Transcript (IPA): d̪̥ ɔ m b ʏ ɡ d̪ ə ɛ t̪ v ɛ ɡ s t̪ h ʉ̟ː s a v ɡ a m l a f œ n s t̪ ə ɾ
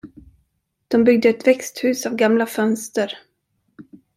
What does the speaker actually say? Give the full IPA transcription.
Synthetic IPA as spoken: d̪̥ ɔ m b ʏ ɡ d̪ ə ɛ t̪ v ɛ k s t̪ h ʉ̟ː s a v ɡ a m l a f œ n s t̪ ə ɾ